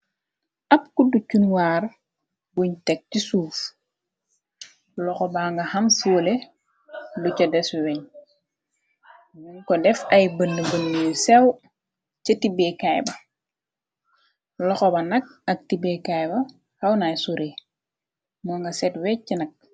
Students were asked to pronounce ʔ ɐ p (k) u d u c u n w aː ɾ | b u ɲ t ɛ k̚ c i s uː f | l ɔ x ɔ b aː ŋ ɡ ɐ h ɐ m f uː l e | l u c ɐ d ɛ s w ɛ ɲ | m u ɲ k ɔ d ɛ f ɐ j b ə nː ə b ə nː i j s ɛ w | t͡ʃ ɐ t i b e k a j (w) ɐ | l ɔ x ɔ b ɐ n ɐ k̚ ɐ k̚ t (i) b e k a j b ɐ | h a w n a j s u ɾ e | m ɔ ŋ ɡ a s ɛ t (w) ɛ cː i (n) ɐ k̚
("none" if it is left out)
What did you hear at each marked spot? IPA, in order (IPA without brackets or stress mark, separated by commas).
k, b, i, w, n